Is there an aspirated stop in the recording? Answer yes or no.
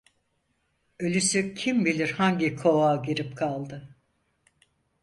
yes